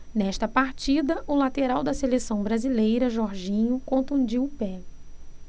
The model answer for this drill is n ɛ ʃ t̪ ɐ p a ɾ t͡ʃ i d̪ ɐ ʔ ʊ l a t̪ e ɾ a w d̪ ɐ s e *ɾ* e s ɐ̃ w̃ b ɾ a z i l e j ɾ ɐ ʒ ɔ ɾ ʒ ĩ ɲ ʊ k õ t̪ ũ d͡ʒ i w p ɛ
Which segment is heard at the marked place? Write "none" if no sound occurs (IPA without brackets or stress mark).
l